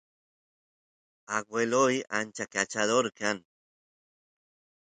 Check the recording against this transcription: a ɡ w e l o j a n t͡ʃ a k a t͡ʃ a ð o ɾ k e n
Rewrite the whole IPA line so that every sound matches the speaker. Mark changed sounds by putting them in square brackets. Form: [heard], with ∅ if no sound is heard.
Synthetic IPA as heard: a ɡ w e l o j a n t͡ʃ a k a t͡ʃ a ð o ɾ k [a] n